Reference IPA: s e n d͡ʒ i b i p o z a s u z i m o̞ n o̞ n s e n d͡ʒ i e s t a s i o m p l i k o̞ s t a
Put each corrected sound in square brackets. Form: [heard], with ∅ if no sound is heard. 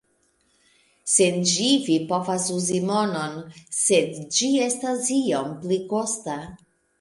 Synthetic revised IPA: s e n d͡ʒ i [v] i p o [v] a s u z i m o̞ n o̞ n s e [d] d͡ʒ i e s t a s i o m p l i k o̞ s t a